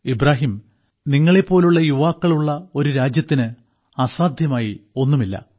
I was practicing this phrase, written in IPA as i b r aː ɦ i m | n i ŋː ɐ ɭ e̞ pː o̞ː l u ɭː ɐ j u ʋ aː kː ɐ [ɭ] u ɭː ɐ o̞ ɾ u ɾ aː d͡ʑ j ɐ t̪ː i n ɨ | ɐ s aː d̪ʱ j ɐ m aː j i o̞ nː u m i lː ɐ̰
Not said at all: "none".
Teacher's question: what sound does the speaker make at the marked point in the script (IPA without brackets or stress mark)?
ɭ